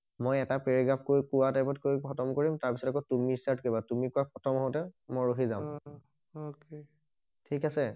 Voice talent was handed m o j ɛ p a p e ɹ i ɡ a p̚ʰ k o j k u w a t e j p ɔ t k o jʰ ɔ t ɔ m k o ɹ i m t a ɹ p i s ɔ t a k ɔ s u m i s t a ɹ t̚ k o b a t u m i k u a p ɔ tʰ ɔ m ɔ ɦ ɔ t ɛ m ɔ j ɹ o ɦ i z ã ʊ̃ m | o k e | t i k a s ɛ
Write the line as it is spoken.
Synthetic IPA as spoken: m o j ɛ t a p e ɹ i ɡ a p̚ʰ k o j k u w a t a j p ɔ t k o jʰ ɔ t ɔ m k o ɹ i m t a ɹ p i s ɔ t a k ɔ t u m i s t a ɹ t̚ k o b a t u m i k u a p ɔ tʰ ɔ m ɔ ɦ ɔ t ɛ m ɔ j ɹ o ɦ i z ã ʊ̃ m | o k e | tʰ i k a s ɛ